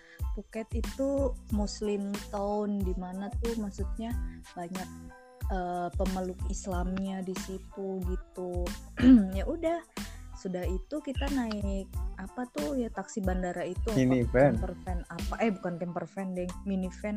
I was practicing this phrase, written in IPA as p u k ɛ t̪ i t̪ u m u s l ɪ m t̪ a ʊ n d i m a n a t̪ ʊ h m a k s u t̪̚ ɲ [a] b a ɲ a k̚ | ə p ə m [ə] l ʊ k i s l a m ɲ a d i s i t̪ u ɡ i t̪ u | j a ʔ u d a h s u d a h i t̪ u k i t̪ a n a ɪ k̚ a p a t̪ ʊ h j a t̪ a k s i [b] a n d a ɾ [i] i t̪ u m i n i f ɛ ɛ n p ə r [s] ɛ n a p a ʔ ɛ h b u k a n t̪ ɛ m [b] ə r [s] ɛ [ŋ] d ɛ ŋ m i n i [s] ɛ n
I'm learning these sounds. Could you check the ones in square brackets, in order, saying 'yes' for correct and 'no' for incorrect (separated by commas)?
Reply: yes, yes, yes, no, no, no, no, no, no